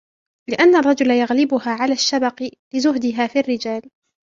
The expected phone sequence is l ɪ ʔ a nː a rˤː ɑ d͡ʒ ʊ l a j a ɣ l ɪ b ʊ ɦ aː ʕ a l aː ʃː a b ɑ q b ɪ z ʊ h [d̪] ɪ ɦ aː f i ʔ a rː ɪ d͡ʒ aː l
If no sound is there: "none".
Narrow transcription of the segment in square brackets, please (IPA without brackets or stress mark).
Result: d̪